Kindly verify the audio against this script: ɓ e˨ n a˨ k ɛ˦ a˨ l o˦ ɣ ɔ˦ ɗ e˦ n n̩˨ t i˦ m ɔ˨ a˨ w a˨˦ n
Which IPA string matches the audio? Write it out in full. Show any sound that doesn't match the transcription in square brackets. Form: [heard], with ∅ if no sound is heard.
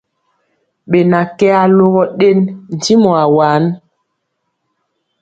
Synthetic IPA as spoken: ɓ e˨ n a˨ k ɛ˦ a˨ l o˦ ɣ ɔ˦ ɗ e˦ n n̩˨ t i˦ m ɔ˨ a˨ w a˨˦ n